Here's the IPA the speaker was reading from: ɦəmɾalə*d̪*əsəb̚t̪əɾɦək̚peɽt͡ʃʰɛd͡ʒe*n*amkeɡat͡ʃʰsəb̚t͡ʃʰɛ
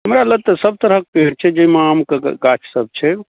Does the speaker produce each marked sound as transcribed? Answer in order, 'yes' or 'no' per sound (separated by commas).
no, no